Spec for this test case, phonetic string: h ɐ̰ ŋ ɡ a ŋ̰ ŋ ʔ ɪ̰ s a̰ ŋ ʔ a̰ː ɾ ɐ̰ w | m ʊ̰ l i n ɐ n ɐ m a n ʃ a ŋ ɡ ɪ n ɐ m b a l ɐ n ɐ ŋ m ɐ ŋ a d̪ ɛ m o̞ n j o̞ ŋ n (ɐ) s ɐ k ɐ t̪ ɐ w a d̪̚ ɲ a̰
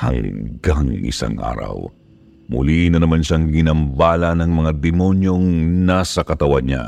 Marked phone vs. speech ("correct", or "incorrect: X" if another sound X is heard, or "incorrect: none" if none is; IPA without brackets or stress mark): incorrect: a